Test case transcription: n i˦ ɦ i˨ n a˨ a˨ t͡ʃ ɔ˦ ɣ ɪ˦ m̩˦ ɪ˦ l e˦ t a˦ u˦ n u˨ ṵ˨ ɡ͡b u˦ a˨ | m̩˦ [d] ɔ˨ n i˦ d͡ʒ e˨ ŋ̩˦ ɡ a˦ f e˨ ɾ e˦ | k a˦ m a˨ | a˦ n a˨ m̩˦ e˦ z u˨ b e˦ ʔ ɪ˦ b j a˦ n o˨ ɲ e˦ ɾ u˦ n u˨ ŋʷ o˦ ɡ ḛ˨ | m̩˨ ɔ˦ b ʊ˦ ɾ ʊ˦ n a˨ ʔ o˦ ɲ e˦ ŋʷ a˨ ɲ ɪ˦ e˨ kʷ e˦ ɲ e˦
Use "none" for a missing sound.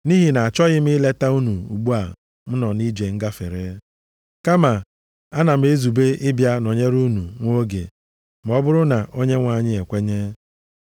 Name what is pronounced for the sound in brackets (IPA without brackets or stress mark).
n